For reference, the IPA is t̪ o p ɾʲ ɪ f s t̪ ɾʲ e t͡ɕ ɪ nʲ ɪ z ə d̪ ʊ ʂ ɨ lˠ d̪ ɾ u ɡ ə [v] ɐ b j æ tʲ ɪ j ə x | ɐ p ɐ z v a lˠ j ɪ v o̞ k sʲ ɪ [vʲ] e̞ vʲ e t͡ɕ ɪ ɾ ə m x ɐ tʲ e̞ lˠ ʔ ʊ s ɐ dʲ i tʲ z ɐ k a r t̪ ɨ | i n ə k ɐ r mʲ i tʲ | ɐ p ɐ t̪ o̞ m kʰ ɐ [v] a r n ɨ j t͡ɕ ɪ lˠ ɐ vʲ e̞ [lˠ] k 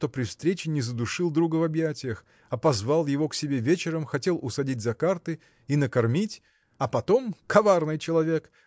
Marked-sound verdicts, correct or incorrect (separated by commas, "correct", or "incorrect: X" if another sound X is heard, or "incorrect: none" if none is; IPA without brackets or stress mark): correct, incorrect: bʲ, correct, incorrect: none